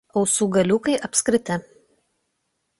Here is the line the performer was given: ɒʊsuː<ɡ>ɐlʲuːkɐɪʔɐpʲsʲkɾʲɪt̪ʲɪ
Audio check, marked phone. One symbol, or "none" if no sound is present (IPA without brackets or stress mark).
ɡ